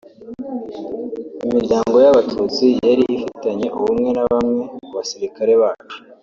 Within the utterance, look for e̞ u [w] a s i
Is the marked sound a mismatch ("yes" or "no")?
yes